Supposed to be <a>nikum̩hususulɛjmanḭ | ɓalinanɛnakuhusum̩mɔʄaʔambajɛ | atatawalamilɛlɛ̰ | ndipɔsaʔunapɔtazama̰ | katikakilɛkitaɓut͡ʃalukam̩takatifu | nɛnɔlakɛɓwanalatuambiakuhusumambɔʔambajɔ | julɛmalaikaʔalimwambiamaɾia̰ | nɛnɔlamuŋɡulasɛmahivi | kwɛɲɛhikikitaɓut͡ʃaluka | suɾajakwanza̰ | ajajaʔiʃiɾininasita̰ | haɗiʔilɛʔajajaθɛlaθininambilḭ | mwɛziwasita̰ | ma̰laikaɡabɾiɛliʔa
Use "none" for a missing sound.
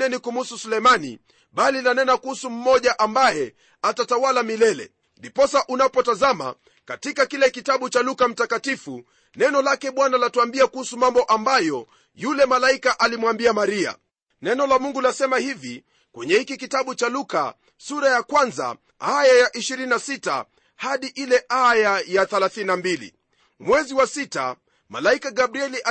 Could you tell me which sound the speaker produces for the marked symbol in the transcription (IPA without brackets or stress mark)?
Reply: ɛ